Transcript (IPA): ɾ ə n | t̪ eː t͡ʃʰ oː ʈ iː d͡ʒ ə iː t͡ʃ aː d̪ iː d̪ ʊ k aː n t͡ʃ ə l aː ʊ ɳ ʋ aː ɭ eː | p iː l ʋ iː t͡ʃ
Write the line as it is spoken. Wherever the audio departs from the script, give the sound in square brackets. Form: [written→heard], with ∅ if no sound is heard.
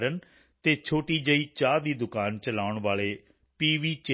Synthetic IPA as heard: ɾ ə n | t̪ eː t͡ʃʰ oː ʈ iː d͡ʒ ə iː t͡ʃ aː d̪ iː d̪ ʊ k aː n t͡ʃ ə l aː ʊ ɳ ʋ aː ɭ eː | p iː [l→∅] ʋ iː t͡ʃ